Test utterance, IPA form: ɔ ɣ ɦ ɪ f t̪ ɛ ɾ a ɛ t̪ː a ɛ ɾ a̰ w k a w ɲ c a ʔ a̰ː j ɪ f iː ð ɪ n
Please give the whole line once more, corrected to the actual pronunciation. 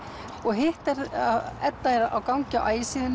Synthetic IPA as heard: ɔ ɣ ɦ ɪ h t̪ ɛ ɾ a ɛ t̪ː a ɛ ɾ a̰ w k a w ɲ c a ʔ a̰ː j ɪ s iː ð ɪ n